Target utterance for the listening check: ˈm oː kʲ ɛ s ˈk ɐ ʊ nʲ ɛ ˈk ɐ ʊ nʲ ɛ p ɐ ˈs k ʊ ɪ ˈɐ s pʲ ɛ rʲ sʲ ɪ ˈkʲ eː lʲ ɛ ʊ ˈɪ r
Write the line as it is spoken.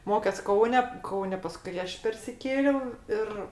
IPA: ˈm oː kʲ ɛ s ˈk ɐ ʊ nʲ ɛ ˈk ɐ ʊ nʲ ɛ p ɐ ˈs k ʊ ɪ ˈɐ ʃ pʲ ɛ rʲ sʲ ɪ ˈkʲ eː lʲ ɛ ʊ ˈɪ r